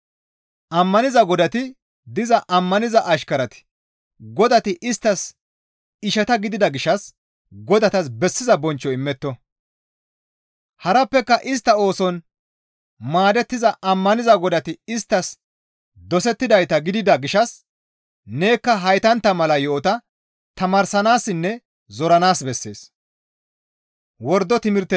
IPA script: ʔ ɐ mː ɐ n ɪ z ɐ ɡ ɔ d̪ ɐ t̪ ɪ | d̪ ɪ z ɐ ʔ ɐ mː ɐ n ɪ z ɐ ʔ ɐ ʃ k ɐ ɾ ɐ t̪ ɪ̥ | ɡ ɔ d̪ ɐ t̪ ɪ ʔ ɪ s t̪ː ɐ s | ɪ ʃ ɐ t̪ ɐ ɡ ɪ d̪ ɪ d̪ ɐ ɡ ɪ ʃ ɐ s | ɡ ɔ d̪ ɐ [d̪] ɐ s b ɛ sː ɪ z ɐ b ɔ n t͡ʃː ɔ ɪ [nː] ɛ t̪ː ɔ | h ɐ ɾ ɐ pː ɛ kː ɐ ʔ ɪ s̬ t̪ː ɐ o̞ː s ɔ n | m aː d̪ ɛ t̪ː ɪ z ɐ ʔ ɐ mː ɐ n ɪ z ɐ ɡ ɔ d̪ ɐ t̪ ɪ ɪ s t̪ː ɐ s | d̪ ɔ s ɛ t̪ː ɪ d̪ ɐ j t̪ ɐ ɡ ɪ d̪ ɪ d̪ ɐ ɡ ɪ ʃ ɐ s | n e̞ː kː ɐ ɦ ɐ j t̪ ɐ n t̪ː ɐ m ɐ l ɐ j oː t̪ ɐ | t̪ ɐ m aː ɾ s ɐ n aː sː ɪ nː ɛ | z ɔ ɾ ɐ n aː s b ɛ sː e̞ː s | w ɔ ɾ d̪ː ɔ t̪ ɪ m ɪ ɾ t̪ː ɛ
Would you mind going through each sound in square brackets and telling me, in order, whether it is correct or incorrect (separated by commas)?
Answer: incorrect, incorrect